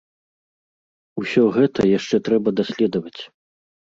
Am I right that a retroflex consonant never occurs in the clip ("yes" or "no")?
no